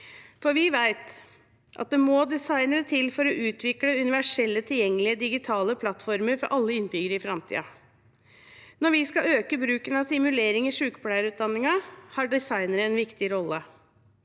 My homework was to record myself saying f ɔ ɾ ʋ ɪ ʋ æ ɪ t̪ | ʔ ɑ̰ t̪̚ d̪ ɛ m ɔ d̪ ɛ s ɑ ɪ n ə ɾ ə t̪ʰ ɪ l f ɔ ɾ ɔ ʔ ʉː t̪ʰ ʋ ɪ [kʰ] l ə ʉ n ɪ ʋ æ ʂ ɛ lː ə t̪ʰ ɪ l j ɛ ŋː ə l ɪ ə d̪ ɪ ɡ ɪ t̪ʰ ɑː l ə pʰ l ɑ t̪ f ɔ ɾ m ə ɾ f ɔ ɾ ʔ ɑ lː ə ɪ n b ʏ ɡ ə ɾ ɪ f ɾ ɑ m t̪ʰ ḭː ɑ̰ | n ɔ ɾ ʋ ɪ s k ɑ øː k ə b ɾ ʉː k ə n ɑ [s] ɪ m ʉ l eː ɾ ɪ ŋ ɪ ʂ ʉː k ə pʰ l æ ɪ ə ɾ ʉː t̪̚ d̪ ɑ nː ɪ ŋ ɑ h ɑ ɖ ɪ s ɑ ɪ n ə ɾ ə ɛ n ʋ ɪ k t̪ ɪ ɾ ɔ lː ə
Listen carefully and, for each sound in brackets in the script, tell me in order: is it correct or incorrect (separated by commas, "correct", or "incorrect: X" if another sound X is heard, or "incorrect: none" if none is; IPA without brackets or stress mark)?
incorrect: k, correct